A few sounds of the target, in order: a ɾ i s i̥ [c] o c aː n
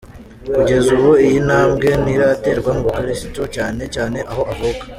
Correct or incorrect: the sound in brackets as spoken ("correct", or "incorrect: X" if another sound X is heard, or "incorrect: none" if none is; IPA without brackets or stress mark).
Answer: incorrect: t